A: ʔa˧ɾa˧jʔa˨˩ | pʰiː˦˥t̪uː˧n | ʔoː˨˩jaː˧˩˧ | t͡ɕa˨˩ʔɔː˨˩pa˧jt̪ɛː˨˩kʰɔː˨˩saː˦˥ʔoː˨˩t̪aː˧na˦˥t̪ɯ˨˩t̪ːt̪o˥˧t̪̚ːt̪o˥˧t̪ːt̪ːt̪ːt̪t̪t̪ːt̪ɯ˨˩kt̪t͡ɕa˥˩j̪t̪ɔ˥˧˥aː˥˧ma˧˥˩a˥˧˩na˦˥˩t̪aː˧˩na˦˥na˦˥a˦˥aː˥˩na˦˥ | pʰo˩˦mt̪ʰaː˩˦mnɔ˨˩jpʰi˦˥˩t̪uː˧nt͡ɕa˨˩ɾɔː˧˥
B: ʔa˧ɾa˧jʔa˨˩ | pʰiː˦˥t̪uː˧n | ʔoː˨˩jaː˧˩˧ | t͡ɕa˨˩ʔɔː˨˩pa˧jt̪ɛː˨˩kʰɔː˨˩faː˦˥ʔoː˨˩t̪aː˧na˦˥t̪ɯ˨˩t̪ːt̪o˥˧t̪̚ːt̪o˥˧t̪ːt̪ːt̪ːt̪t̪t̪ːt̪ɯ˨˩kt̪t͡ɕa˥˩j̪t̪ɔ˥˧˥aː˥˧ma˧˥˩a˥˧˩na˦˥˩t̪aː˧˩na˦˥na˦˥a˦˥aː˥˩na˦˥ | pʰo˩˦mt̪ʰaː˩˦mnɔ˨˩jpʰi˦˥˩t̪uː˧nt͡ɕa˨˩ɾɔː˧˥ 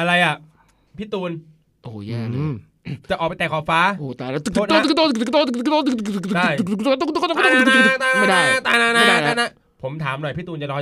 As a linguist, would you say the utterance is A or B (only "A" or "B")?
B